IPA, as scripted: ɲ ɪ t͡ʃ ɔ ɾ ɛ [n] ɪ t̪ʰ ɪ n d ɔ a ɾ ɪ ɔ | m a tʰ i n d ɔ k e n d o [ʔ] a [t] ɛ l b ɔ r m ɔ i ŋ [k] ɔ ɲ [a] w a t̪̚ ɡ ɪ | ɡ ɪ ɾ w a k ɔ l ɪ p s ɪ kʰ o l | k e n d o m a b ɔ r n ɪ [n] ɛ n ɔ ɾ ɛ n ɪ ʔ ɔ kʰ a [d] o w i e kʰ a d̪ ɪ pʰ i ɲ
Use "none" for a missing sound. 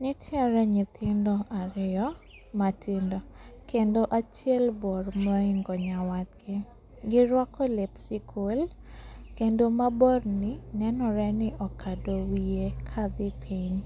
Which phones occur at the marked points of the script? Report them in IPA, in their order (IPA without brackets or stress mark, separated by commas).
ɲ, ʔ, t͡ʃ, ɡ, a, n, d